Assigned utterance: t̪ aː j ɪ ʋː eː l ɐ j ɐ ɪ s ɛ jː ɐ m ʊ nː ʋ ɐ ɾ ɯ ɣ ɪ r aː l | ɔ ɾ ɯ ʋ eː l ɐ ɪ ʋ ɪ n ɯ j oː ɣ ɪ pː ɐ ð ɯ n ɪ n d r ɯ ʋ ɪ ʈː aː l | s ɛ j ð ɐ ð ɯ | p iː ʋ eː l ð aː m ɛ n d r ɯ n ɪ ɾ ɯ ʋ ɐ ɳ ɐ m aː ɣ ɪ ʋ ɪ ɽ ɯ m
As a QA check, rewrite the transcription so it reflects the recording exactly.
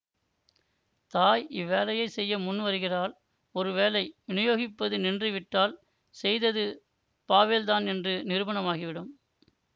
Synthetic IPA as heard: t̪ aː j ɪ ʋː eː l ɐ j ɐ ɪ s ɛ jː ɐ m ʊ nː ʋ ɐ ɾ ɯ ɣ ɪ r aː l | ɔ ɾ ɯ ʋ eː l ɐ ɪ ʋ ɪ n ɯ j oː ɣ ɪ pː ɐ ð ɯ n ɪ n d r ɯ ʋ ɪ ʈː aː l | s ɛ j ð ɐ ð ɯ | p aː ʋ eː l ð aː n ɛ n d r ɯ n ɪ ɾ ɯ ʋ ɐ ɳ ɐ m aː ɣ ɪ ʋ ɪ ɽ ɯ m